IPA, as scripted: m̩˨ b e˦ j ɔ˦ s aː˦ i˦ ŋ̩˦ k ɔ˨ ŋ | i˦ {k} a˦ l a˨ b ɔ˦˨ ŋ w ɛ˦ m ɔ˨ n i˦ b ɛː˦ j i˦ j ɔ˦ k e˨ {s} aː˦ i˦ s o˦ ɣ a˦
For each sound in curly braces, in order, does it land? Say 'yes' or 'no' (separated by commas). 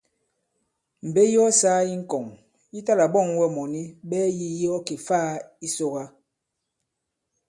no, no